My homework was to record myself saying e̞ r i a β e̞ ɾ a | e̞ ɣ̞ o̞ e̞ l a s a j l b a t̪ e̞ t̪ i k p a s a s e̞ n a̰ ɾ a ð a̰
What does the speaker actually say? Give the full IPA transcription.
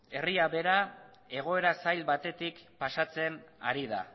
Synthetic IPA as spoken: e̞ r i a β e̞ ɾ a | e̞ ɣ̞ o̞ e̞ ɾ a s a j l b a t̪ e̞ t̪ i k p a s a t͡s e̞ n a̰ ɾ i ð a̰